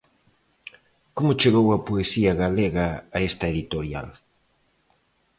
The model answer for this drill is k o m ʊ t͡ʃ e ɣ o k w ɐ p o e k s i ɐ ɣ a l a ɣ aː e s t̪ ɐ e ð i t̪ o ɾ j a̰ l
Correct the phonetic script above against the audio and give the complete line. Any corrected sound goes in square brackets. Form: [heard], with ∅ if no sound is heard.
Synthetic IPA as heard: k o m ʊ t͡ʃ e ɣ o [∅] w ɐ p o e [∅] s i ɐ ɣ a l [e] ɣ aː e s t̪ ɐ e ð i t̪ o ɾ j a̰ l